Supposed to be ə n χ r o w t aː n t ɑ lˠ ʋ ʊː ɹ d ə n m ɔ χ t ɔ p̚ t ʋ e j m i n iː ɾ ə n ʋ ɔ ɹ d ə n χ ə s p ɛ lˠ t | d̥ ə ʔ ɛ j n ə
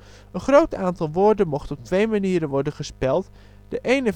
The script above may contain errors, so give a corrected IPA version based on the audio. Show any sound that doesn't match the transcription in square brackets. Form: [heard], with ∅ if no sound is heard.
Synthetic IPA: ə n χ r o w t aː n t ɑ lˠ ʋ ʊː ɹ d ə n m ɔ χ t ɔ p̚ t ʋ e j m [a] n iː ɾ ə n ʋ ɔ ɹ d ə n χ ə s p ɛ lˠ t | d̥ ə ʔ [e] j n ə